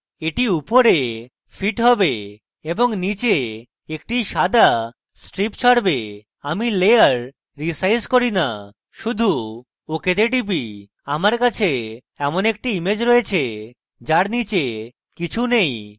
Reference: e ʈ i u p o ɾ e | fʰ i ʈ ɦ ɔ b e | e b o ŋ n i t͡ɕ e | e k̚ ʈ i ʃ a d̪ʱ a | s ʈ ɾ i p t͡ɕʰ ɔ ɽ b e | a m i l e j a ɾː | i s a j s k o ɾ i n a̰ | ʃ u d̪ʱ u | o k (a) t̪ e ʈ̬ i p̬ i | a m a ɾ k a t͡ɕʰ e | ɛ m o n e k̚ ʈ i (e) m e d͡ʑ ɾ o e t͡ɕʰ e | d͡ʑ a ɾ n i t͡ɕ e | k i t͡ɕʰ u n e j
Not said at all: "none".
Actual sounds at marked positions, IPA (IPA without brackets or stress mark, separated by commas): e, i